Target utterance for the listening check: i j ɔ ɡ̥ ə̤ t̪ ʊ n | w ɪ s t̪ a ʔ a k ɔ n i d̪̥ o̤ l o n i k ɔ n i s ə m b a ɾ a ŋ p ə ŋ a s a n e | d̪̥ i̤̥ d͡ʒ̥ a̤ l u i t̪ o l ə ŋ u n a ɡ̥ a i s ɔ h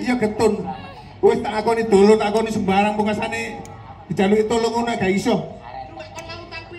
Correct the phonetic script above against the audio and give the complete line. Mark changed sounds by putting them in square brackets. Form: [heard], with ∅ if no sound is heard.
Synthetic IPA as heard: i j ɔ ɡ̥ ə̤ t̪ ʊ n | w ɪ s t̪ a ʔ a k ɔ n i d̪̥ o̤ l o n [a] k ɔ n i s ə m b a ɾ a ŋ p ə ŋ a s a n e | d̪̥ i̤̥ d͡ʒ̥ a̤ l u i t̪ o l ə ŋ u n a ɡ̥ a i s ɔ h